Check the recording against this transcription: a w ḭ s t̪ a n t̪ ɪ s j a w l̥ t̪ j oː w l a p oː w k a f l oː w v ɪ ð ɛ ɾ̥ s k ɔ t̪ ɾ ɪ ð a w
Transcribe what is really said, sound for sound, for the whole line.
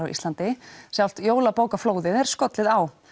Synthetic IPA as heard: a w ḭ s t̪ a n t̪ ɪ s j a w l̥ t̪ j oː w l a p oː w k a f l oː w ð ɪ ð ɛ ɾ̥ s k ɔ t̪ l ɪ ð a w